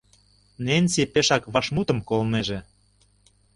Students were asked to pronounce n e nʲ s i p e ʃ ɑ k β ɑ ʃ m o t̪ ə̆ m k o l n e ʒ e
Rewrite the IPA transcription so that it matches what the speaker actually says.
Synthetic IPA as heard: n e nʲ s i p e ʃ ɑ k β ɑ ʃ m u t̪ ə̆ m k o l n e ʒ e